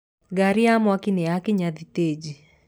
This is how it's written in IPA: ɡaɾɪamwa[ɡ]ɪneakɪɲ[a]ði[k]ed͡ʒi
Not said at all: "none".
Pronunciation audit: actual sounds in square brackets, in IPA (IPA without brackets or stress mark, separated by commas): k, a, t